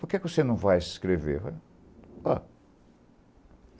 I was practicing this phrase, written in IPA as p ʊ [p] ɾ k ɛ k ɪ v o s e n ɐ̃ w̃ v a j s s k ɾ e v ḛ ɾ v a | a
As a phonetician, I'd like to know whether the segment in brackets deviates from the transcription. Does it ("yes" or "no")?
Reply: yes